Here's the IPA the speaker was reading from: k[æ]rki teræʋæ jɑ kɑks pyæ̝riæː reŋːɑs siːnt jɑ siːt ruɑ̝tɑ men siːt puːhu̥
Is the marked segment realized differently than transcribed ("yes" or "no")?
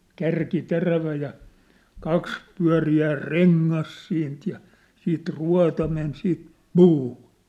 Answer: no